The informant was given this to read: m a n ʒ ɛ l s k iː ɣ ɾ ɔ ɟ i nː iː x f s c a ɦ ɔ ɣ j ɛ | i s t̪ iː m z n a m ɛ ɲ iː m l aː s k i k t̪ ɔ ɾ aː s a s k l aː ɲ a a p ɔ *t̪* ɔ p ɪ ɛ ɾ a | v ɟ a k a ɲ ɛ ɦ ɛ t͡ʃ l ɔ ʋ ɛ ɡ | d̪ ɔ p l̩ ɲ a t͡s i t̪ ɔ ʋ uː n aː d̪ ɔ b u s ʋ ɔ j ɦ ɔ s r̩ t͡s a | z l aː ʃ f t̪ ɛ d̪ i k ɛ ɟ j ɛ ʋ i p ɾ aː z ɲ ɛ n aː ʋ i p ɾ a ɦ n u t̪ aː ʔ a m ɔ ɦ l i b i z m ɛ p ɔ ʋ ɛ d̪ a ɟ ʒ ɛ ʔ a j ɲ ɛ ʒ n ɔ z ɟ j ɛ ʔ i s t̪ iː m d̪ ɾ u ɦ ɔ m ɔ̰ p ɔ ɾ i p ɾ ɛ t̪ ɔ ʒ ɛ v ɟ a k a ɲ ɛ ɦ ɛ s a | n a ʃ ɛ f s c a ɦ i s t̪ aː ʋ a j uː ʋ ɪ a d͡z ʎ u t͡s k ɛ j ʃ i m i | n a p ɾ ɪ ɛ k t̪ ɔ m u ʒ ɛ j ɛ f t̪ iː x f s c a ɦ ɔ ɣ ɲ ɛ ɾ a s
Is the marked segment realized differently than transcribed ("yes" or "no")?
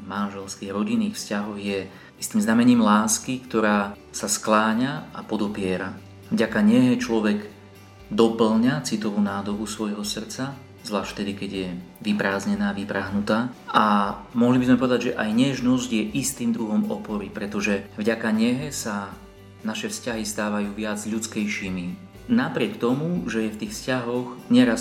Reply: yes